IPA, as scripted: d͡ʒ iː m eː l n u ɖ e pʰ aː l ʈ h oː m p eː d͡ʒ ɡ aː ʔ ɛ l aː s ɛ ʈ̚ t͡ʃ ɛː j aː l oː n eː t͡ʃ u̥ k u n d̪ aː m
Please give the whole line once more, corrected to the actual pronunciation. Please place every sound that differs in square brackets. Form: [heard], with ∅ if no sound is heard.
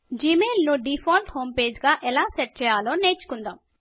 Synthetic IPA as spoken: d͡ʒ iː m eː l n u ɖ [i] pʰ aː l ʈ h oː m p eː d͡ʒ ɡ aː ʔ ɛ l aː s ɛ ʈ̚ t͡ʃ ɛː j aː l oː n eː t͡ʃ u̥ k u n d̪ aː m